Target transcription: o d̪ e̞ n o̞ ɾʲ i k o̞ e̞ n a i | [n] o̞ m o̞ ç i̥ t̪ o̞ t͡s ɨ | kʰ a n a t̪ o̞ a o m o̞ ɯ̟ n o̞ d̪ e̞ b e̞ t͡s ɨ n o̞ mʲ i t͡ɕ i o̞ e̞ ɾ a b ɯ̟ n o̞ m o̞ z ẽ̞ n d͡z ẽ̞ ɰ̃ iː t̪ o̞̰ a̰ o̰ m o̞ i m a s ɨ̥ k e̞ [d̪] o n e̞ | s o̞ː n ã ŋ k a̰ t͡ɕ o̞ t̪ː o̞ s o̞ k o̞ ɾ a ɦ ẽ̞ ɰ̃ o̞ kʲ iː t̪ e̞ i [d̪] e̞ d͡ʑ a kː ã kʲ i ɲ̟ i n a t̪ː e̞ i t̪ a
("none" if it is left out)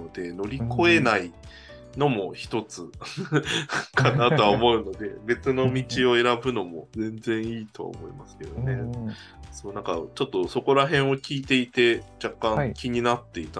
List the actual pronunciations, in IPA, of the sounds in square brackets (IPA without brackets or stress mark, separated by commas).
n, d̪, t̪